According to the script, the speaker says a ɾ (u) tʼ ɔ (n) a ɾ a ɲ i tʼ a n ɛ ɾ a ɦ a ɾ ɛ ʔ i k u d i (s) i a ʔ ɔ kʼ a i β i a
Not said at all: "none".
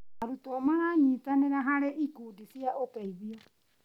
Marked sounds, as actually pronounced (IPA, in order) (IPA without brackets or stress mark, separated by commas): u, m, s